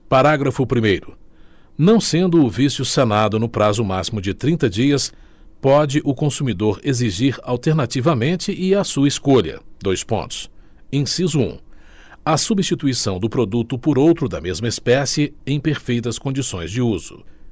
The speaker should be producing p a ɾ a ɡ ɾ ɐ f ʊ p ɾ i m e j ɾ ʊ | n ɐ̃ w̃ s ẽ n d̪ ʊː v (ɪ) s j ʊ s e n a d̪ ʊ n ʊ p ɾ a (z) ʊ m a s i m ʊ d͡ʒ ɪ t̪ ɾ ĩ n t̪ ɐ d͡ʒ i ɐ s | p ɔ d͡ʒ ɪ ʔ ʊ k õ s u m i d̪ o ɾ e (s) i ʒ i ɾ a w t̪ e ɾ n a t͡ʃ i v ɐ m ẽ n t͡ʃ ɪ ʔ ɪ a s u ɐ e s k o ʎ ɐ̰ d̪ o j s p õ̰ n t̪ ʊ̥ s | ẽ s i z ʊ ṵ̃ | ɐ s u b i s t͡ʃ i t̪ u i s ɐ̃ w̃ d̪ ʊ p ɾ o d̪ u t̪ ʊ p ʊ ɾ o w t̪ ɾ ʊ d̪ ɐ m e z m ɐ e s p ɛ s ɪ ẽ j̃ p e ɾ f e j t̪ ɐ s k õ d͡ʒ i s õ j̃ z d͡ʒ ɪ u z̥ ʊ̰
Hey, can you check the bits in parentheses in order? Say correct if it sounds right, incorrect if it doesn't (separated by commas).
incorrect, correct, incorrect